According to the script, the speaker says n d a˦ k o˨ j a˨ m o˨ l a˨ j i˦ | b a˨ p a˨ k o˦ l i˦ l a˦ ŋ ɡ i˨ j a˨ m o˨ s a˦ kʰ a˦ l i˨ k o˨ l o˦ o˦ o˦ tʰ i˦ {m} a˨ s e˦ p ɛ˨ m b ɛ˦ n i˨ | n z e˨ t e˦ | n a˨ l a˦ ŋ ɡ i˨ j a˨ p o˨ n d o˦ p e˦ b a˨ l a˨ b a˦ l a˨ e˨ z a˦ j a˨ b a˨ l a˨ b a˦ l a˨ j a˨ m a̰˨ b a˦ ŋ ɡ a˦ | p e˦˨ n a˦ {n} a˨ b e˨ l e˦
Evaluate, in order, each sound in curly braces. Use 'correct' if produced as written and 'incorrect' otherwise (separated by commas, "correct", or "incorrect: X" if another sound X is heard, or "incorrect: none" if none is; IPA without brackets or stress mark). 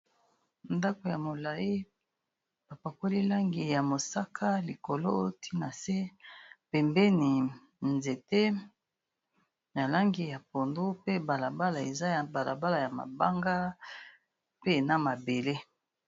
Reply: incorrect: n, incorrect: m